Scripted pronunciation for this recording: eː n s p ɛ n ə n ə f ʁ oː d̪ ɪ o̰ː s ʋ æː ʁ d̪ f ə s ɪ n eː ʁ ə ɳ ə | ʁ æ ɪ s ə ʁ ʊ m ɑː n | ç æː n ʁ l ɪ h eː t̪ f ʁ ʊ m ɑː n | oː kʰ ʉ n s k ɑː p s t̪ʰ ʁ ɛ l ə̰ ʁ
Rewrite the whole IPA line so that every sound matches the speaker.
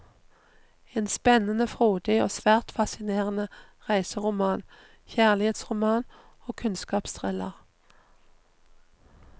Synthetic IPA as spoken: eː n s p ɛ n ə n ə f ʁ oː d̪ ɪ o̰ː s ʋ æː ʁ t̪ f ɑ s ɪ n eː ʁ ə n ə | ʁ æ ɪ s ə ʁ ʊ m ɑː n | ç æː ʁ l ɪ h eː t̪ s ʁ ʊ m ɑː n | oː kʰ ʉ n s k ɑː p s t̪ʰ ʁ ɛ l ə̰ ʁ